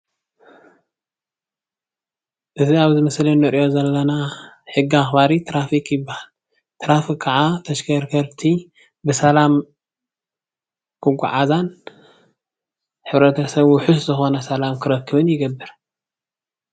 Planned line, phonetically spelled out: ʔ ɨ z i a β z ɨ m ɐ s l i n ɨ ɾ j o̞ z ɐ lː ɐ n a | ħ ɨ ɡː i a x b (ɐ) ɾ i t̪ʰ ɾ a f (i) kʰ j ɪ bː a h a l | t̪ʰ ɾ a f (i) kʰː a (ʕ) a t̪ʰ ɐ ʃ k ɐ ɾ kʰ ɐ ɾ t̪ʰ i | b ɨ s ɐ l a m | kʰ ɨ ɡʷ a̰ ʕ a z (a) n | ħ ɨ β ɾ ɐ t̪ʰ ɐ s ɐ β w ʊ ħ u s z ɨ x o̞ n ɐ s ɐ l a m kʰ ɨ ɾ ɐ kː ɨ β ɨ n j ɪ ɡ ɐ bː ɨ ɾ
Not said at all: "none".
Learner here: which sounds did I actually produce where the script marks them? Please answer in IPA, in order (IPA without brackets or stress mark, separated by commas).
a, i, i, ʕ, a